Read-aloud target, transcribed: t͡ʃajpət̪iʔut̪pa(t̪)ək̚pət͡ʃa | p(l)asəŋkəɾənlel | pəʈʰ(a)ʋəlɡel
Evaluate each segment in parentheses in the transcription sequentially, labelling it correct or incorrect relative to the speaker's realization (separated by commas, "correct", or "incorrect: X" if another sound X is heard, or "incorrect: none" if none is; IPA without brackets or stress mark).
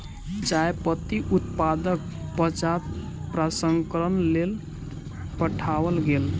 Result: incorrect: d̪, incorrect: ɾ, correct